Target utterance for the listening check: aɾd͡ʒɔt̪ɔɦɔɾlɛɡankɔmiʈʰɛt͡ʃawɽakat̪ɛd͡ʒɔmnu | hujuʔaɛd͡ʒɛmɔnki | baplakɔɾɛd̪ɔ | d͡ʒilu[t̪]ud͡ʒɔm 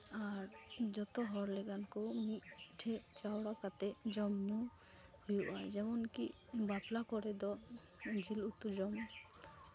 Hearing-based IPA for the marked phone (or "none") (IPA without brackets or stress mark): t̪